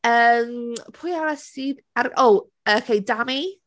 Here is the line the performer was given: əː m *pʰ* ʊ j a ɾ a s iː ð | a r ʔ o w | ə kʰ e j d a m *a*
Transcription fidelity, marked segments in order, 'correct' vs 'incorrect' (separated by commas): correct, incorrect